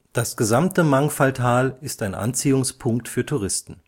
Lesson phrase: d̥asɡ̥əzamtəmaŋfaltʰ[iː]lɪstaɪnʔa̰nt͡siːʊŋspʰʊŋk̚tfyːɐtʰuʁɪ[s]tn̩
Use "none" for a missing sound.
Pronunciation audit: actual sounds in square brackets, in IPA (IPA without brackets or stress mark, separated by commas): aː, s